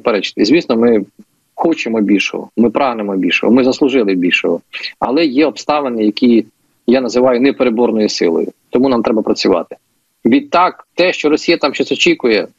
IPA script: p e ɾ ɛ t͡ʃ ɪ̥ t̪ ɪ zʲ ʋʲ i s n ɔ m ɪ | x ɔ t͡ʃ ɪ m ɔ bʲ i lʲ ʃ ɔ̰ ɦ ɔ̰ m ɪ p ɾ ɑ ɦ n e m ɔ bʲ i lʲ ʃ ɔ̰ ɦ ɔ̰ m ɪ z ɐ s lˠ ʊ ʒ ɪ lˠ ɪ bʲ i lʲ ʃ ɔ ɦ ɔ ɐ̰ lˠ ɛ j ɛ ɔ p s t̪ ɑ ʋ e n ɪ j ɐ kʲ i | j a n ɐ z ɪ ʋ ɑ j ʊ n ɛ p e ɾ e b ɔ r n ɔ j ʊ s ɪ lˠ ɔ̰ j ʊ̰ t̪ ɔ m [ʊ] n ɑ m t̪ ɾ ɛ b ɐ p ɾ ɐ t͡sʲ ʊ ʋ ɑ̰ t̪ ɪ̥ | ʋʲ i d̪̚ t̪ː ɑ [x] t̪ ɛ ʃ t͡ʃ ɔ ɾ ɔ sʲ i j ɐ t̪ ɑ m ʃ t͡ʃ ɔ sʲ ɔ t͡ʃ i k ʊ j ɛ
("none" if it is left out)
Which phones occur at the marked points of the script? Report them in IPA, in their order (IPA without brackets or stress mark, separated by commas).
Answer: u, k